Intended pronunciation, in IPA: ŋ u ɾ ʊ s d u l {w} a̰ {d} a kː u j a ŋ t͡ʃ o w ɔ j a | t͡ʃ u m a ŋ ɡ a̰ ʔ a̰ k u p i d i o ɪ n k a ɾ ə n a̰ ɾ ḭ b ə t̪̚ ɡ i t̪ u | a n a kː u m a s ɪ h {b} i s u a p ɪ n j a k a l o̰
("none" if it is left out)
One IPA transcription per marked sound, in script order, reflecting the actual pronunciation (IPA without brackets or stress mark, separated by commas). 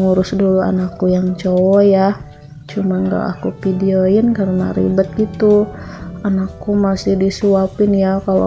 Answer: u, n, d